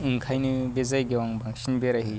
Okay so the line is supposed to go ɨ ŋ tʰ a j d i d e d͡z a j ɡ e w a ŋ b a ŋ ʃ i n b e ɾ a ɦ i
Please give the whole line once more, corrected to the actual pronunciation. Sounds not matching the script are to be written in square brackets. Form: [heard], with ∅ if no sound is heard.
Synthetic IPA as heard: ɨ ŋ [kʰ] a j [n] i [b] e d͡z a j ɡ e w a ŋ b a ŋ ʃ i n b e ɾ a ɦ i